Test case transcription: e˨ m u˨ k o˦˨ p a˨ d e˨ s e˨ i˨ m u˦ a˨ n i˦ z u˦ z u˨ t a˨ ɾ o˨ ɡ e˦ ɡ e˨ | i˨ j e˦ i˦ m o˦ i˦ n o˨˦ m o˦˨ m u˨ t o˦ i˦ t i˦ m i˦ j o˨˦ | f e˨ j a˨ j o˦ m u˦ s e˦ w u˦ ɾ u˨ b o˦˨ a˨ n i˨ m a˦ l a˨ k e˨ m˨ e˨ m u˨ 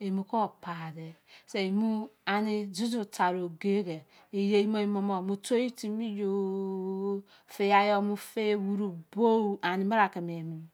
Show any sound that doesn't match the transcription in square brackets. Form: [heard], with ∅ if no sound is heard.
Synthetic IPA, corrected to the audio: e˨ m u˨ k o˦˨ p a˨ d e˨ s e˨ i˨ m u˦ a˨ n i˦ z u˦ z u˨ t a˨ ɾ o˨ ɡ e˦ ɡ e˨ | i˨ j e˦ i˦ m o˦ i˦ [m] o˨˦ m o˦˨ m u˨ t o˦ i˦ t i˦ m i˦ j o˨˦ | f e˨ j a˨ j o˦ m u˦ [f] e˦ w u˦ ɾ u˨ b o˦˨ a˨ n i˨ m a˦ [ɾ] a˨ k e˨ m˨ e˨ m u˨

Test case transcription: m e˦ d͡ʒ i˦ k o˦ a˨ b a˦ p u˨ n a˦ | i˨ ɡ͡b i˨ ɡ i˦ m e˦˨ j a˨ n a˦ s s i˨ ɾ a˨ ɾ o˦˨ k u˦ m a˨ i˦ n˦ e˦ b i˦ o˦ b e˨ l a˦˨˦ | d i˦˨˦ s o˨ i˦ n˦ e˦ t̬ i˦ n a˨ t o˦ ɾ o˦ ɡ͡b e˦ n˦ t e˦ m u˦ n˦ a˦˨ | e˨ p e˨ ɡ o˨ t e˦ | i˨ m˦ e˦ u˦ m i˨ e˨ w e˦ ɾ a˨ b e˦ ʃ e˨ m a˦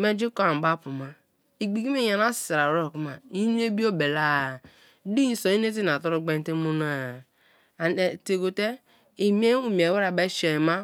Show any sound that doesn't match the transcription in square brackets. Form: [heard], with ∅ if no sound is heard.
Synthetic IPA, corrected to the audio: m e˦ d͡ʒ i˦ k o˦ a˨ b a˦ p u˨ [m] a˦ | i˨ ɡ͡b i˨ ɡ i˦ m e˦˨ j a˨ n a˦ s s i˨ ɾ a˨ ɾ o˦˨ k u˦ m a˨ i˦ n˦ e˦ b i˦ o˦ b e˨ l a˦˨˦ | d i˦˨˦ s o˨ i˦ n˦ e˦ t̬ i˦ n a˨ t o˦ ɾ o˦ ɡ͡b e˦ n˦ t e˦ m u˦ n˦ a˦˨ | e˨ [t] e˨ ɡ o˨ t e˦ | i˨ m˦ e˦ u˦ m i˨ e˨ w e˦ ɾ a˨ b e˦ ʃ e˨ m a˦

